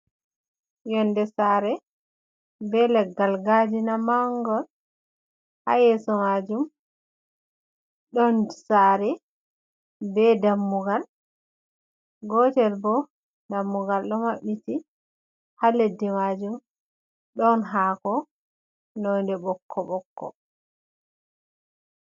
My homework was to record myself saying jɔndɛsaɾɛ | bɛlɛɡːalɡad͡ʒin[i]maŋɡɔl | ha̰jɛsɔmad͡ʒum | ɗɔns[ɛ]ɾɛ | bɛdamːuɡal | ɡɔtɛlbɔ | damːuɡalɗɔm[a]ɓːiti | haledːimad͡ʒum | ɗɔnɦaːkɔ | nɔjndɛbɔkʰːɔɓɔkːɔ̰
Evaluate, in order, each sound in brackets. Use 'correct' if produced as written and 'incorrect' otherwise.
incorrect, incorrect, correct

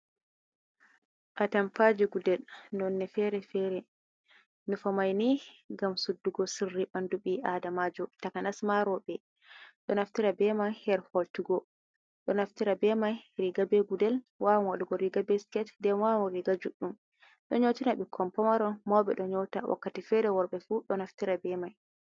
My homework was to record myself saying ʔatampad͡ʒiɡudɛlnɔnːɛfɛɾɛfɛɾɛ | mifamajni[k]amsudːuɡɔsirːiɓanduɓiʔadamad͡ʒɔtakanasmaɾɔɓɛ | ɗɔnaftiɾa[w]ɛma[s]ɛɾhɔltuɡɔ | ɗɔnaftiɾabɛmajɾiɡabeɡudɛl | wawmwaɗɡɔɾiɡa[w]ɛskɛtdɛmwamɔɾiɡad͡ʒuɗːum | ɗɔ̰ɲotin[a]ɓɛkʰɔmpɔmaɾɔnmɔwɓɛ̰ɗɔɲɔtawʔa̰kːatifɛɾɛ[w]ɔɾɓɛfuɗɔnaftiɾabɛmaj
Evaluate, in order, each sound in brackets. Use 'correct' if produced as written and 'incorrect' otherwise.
incorrect, incorrect, incorrect, incorrect, correct, correct

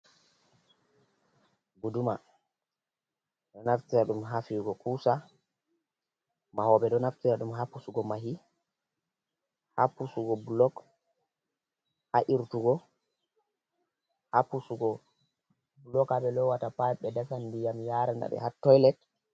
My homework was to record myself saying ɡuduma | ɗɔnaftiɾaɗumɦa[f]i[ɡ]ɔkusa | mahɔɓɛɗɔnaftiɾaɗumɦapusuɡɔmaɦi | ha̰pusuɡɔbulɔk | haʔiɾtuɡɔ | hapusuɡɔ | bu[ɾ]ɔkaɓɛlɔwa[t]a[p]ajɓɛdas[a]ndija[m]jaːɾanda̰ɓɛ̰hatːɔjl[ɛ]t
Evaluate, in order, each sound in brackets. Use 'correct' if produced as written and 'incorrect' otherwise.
correct, correct, incorrect, correct, correct, correct, correct, correct

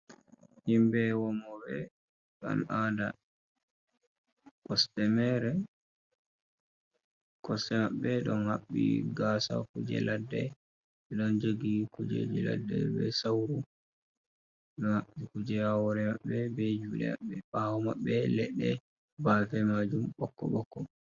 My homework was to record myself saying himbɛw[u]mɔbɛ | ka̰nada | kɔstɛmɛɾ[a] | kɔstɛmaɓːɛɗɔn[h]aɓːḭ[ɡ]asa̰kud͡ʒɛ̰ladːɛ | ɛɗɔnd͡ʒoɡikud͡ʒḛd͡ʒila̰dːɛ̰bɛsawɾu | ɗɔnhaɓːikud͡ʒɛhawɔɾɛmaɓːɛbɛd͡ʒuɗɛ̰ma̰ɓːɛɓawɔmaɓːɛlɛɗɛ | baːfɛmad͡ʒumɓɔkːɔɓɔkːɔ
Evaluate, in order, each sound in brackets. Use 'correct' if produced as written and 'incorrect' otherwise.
incorrect, incorrect, correct, correct

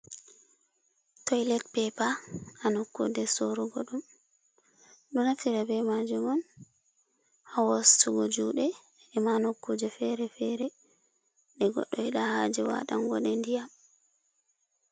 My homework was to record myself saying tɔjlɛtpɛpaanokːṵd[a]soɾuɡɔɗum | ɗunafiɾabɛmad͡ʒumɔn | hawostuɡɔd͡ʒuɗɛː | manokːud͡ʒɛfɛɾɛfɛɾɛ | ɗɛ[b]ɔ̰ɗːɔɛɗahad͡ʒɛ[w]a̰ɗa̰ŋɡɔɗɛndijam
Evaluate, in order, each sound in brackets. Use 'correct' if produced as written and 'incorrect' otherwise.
incorrect, incorrect, correct

